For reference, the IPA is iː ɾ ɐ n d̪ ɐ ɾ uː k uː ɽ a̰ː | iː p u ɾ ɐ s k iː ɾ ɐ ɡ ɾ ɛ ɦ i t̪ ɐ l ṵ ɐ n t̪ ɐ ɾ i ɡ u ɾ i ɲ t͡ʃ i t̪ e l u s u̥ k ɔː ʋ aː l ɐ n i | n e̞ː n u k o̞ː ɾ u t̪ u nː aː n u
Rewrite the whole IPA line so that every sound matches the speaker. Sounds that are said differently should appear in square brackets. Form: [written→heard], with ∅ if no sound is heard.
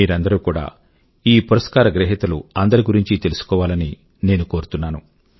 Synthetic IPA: iː ɾ ɐ n d̪ ɐ ɾ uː k uː ɽ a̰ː | iː p u ɾ ɐ s k [iː→aː] ɾ ɐ ɡ ɾ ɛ ɦ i t̪ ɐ l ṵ ɐ n [t̪→d̪] ɐ ɾ i ɡ u ɾ i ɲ t͡ʃ i t̪ e l u s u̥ k ɔː ʋ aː l ɐ n i | n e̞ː n u k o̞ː ɾ u t̪ u nː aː n u